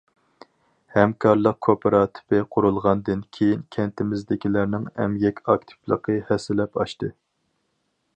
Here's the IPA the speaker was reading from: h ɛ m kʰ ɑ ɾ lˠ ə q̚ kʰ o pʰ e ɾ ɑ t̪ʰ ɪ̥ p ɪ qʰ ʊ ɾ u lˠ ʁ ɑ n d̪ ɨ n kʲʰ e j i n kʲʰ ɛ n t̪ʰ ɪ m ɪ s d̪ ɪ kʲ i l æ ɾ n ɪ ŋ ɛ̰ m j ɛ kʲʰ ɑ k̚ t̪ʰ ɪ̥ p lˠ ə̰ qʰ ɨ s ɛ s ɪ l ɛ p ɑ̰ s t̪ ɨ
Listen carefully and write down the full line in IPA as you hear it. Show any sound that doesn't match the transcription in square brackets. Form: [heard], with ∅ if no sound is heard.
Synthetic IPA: h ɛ m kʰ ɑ ɾ lˠ ə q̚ kʰ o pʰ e ɾ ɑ t̪ʰ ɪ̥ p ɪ qʰ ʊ ɾ u lˠ ʁ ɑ n d̪ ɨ n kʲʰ e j i n kʲʰ ɛ n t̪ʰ ɪ m ɪ [z] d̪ ɪ kʲ i l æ ɾ n ɪ ŋ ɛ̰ m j ɛ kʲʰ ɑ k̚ t̪ʰ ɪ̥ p lˠ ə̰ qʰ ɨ [h] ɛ s ɪ l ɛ p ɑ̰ [ʃ] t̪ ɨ

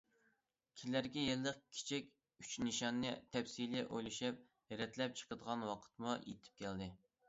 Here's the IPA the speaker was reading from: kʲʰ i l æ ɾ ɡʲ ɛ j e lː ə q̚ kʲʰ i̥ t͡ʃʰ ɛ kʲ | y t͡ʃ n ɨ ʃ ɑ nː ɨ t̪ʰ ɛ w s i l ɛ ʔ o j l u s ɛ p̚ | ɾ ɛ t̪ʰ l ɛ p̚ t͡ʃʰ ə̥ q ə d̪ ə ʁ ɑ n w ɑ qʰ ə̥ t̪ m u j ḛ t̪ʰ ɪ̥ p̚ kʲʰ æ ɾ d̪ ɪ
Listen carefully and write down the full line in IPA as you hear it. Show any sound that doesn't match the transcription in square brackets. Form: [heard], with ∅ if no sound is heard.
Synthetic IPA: kʲʰ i l æ ɾ ɡʲ ɛ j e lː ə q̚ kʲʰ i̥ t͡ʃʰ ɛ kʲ | y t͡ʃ n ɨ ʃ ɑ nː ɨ t̪ʰ ɛ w s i l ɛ ʔ o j l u [ʃ] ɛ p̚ | ɾ ɛ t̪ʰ l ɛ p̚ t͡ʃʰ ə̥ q ə d̪ ə ʁ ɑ n w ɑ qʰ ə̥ t̪ m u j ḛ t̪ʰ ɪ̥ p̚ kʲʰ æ [l] d̪ ɪ

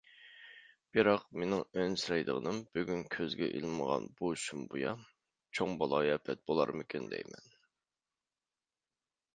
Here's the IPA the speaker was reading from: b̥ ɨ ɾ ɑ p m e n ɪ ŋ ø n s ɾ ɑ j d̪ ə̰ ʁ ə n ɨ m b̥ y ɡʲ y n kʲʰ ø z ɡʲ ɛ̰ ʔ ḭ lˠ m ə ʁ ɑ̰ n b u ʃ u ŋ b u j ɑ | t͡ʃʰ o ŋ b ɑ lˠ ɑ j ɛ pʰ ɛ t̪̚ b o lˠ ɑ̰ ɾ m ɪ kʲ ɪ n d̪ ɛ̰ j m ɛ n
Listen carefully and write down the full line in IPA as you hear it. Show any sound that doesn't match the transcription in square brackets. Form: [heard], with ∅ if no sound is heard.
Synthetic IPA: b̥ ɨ ɾ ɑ [q] m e n ɪ ŋ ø n s ɾ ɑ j d̪ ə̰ ʁ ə n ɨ m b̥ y ɡʲ y n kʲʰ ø z ɡʲ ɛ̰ ʔ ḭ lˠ m ə ʁ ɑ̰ n b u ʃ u [m] b u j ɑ | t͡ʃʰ o ŋ b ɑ lˠ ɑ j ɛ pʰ ɛ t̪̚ b o lˠ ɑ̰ ɾ m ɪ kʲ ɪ n d̪ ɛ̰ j m ɛ n

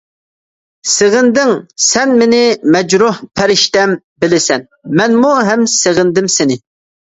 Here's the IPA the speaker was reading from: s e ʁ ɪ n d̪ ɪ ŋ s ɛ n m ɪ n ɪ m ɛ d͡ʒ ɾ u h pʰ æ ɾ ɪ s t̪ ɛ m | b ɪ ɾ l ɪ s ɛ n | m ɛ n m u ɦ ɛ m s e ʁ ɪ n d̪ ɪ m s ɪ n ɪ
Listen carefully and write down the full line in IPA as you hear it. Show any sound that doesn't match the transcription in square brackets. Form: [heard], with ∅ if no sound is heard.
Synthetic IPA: s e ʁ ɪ n d̪ ɪ ŋ s ɛ n m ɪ n ɪ m ɛ d͡ʒ ɾ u h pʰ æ ɾ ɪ [ʃ] t̪ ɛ m | b ɪ [∅] l ɪ s ɛ n | m ɛ n m u ɦ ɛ m s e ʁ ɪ n d̪ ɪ m s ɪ n ɪ

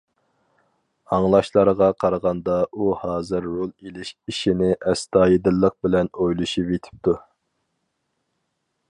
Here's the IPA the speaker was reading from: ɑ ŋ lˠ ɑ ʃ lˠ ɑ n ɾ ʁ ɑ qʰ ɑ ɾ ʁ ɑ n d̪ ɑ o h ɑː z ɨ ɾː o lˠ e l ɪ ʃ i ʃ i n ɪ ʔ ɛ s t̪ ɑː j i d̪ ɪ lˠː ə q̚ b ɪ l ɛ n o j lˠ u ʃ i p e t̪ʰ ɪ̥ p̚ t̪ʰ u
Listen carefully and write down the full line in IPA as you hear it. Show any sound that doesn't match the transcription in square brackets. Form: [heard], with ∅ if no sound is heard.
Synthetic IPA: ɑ ŋ lˠ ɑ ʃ lˠ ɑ [∅] ɾ ʁ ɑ qʰ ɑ ɾ ʁ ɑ n d̪ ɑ [u] h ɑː z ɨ ɾː o lˠ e l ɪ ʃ i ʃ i n ɪ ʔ ɛ s t̪ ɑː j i d̪ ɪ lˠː ə q̚ b ɪ l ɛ n o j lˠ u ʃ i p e t̪ʰ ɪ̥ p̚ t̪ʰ u

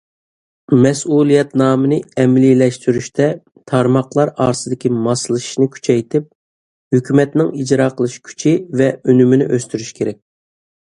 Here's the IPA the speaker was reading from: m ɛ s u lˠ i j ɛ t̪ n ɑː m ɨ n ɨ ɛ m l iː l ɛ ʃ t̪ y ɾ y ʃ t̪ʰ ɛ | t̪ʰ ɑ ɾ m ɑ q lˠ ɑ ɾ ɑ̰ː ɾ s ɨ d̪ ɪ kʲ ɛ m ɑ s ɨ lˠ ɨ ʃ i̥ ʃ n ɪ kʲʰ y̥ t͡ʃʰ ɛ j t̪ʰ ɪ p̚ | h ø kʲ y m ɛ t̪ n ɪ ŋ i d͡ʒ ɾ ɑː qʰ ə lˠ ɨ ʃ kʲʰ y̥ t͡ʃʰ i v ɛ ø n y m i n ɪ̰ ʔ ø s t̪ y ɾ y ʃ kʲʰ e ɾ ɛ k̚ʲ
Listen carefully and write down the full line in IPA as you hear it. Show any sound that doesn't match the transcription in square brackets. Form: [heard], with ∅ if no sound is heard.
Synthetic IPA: m ɛ s u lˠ i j ɛ t̪ n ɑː m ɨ n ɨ ɛ m l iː l ɛ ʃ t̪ y ɾ y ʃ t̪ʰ ɛ | t̪ʰ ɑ ɾ m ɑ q lˠ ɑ ɾ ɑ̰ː ɾ s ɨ d̪ ɪ kʲ [i] m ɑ s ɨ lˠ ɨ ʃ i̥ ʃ n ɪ kʲʰ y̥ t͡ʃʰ ɛ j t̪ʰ ɪ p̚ | h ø kʲ y m ɛ t̪ n ɪ ŋ i d͡ʒ ɾ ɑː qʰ ə lˠ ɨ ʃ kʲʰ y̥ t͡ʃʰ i v ɛ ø n y m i n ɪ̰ ʔ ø s t̪ y ɾ y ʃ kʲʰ e ɾ ɛ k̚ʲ

